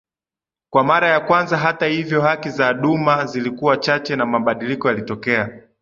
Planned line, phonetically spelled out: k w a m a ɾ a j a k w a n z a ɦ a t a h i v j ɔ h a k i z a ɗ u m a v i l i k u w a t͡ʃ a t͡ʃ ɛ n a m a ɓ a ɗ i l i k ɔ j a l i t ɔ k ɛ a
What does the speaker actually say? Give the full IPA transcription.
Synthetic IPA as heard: k w a m a ɾ a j a k w a n z a ɦ a t a h i v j ɔ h a k i z a ɗ u m a z i l i k u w a t͡ʃ a t͡ʃ ɛ n a m a ɓ a ɗ i l i k ɔ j a l i t ɔ k ɛ a